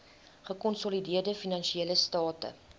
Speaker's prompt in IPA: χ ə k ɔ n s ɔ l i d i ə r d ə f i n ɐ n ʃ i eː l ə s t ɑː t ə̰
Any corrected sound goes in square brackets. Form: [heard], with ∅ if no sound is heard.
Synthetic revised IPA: χ ə k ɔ n s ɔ l i d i ə r d ə f i n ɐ n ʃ i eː l ə s t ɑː t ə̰

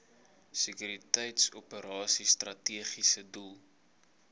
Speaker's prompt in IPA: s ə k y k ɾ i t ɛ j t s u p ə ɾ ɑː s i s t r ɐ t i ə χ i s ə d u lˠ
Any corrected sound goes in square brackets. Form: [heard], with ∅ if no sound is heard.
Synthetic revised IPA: s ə k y [∅] ɾ i t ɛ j t s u p ə ɾ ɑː s i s t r ɐ t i ə χ i s ə d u lˠ

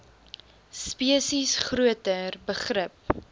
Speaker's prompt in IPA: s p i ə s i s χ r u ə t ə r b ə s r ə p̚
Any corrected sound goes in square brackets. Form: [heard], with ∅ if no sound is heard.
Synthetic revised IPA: s p i ə s i s χ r u ə t ə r b ə [χ] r ə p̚

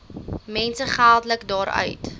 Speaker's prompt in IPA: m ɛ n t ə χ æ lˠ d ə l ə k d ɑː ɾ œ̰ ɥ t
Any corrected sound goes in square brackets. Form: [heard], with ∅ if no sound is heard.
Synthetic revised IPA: m ɛ n [s] ə χ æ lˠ d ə l ə k d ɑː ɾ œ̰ ɥ t

